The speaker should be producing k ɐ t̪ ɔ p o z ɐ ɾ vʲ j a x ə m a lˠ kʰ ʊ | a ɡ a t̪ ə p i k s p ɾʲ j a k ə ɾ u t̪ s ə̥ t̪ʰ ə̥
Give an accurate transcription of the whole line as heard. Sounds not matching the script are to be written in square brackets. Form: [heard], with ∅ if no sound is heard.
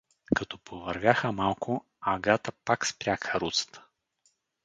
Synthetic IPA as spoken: k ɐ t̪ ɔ p o [v] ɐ ɾ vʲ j a x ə m a lˠ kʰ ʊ | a ɡ a t̪ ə p [a] k s p ɾʲ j a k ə ɾ u t̪ s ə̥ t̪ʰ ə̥